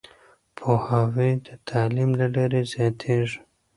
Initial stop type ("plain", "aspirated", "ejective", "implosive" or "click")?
aspirated